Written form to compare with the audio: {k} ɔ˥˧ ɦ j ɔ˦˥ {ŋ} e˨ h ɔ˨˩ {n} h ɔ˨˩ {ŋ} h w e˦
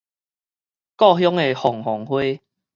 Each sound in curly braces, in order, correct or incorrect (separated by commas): correct, correct, incorrect, correct